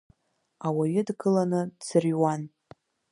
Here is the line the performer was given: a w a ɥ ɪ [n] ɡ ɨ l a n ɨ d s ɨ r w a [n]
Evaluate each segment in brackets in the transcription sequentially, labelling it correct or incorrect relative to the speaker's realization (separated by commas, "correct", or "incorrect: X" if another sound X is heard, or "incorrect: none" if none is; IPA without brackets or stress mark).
incorrect: d, correct